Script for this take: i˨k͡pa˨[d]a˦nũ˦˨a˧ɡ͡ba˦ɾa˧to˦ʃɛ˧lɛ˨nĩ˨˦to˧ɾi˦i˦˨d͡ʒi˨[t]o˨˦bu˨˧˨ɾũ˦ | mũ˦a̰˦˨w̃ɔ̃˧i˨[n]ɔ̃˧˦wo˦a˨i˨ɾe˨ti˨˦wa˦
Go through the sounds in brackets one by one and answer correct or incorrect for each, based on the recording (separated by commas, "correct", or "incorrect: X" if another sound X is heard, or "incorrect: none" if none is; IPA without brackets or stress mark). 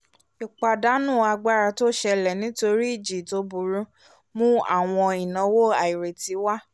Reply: correct, correct, correct